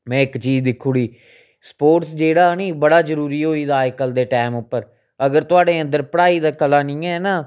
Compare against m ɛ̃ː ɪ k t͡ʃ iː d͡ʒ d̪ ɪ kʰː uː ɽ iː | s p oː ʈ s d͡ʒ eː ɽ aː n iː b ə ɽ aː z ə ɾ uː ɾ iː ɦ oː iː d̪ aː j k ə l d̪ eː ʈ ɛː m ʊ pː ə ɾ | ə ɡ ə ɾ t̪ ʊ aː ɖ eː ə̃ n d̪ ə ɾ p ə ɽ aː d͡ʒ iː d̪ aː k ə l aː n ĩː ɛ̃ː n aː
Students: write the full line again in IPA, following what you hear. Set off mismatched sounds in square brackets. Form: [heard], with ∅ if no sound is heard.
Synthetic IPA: m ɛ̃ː ɪ k t͡ʃ iː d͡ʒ d̪ ɪ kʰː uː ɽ iː | s p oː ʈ s d͡ʒ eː ɽ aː n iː b ə ɽ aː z ə ɾ uː ɾ iː ɦ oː iː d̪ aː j k ə l d̪ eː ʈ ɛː m ʊ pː ə ɾ | ə ɡ ə ɾ t̪ ʊ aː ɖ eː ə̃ n d̪ ə ɾ p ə ɽ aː [∅] iː d̪ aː k ə l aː n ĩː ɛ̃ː n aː